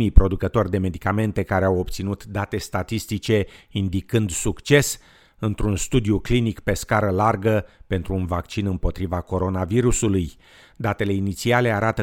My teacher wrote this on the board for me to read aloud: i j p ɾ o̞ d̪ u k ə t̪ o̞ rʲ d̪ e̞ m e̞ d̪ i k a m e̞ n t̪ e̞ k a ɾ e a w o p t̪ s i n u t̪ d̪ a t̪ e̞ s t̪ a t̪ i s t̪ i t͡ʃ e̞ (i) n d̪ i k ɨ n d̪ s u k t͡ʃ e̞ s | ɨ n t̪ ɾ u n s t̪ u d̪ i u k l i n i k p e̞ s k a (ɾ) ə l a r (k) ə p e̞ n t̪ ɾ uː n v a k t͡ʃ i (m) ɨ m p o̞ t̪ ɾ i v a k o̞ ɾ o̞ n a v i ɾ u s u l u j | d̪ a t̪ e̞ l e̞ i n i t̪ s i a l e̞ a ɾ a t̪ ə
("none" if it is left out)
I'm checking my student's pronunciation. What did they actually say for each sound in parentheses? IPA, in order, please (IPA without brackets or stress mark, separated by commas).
i, ɾ, ɡ, n